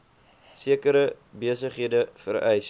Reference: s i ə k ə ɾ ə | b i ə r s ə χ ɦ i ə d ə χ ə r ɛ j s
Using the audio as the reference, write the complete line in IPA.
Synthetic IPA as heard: s i ə k ə ɾ ə | b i ə s ə χ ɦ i ə d ə f ə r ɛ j s